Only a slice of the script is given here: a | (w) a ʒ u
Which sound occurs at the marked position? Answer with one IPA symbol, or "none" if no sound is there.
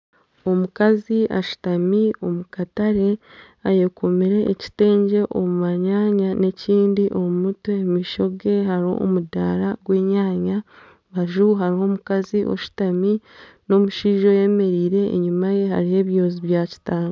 β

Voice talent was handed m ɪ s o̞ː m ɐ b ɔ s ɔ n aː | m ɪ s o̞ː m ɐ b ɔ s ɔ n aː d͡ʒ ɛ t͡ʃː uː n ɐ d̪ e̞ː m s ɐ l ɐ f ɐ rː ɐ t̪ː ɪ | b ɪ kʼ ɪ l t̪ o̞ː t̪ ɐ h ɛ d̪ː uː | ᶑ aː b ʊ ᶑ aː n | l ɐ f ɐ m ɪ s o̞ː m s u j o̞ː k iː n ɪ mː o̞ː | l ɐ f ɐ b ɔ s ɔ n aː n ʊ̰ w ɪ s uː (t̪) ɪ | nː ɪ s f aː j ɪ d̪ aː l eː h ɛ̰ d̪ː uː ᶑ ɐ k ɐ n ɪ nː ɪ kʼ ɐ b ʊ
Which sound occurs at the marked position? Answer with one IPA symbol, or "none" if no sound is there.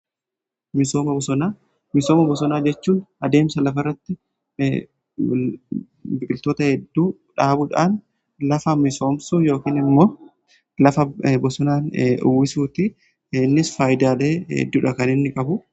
t̪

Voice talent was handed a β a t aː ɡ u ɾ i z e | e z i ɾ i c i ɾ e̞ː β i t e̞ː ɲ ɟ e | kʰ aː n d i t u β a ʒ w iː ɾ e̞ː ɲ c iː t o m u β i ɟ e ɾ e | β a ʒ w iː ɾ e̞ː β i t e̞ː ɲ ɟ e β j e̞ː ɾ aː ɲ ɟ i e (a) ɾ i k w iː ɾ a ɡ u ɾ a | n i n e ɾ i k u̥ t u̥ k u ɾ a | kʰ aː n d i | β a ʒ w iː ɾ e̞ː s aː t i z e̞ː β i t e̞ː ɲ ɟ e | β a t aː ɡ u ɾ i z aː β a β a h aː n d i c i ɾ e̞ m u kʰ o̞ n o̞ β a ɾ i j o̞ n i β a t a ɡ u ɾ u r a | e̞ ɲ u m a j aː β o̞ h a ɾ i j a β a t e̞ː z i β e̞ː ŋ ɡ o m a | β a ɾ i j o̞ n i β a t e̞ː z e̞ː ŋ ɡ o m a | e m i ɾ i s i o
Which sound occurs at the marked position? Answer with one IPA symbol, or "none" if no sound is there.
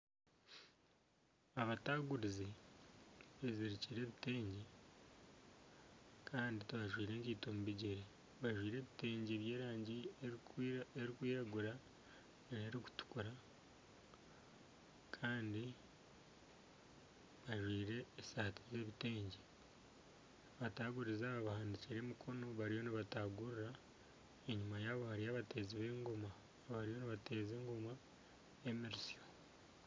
e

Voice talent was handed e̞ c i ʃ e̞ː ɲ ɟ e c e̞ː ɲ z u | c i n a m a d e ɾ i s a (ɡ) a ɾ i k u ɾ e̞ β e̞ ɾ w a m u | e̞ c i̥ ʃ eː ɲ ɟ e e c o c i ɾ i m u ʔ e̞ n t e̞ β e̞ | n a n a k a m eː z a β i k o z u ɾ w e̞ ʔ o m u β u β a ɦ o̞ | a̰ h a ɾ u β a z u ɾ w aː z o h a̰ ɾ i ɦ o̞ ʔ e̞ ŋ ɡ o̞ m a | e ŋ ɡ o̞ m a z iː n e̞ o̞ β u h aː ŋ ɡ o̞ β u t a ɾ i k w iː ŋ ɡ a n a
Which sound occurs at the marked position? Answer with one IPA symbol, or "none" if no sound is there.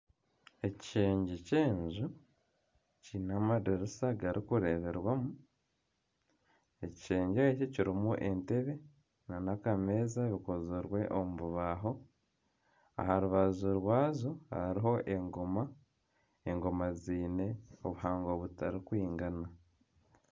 ɡ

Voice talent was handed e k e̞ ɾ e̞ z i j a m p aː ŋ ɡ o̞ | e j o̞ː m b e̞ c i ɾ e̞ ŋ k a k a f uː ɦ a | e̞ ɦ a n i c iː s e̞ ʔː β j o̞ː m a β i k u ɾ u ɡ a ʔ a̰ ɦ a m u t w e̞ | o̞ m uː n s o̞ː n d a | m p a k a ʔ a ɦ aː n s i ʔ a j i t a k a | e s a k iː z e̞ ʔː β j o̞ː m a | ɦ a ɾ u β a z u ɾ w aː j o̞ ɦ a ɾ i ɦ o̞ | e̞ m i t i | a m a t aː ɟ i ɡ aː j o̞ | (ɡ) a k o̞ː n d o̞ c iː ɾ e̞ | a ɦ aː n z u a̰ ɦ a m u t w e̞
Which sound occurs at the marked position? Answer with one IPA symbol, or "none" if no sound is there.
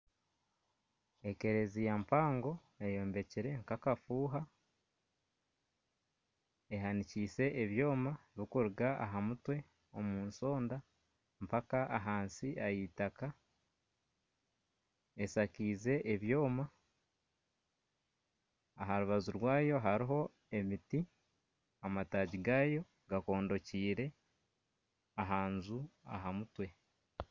ɡ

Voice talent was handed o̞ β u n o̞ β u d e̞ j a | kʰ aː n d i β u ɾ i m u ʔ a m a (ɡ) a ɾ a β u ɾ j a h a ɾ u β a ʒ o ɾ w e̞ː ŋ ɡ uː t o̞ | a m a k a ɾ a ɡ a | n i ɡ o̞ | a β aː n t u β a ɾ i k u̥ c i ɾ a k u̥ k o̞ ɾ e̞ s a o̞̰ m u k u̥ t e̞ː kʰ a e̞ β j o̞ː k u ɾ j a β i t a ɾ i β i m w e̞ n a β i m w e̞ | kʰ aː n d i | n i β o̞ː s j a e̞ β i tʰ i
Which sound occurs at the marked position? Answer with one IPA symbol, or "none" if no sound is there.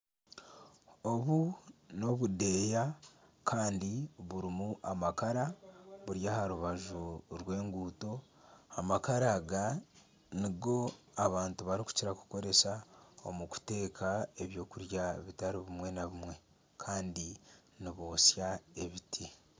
k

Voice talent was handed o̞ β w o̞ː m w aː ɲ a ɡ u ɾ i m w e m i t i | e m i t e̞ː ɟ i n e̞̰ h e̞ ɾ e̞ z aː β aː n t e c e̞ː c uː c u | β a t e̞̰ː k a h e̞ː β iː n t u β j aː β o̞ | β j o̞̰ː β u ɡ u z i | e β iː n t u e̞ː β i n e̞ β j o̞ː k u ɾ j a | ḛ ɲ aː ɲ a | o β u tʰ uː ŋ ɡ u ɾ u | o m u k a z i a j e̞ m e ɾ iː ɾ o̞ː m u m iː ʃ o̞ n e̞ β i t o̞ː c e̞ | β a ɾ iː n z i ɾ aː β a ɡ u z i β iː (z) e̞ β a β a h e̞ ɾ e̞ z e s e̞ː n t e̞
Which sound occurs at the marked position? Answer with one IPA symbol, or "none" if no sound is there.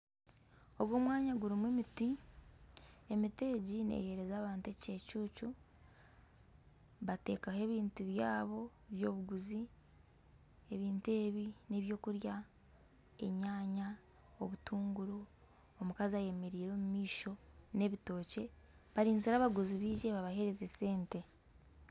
ʒ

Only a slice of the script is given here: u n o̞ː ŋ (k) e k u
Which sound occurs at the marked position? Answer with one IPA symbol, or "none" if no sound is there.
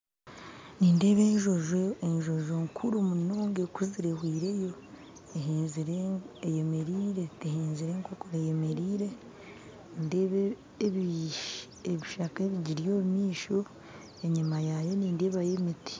ɡ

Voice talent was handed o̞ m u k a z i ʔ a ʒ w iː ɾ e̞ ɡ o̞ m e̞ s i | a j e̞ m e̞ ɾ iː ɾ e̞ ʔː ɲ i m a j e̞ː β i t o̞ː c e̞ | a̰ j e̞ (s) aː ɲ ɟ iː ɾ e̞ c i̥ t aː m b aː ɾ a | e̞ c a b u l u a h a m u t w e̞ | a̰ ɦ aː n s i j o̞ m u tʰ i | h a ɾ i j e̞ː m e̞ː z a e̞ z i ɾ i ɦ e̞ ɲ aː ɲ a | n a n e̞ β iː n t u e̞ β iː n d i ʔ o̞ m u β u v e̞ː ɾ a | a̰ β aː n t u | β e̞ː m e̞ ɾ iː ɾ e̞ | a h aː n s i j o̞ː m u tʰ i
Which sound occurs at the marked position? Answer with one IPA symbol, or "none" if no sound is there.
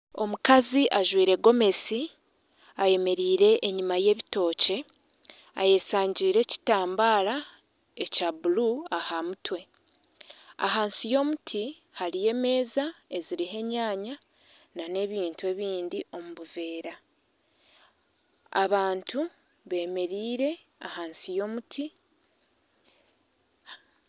s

